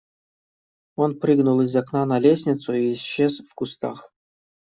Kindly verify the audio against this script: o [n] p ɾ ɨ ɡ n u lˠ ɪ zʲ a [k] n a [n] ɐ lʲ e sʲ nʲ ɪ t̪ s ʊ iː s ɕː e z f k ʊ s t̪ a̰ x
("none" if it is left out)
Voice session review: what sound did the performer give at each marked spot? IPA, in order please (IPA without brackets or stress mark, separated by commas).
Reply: n, k, n